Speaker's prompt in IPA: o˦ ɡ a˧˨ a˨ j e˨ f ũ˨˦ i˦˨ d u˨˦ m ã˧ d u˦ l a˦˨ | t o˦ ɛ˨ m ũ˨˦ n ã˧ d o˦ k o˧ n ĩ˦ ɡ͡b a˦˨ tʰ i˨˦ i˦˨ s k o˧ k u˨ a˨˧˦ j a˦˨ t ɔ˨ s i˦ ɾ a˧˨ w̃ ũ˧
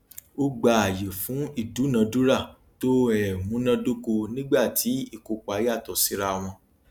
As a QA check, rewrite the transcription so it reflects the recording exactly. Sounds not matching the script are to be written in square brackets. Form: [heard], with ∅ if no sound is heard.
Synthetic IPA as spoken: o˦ [ɡ͡b] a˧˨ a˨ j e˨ f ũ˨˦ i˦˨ d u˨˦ [n] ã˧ d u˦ [ɾ] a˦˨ | t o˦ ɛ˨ m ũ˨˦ n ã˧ d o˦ k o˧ n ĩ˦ ɡ͡b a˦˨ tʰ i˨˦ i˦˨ [∅] k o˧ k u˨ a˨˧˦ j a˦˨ t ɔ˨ s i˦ ɾ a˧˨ w̃ [ɔ̃˧]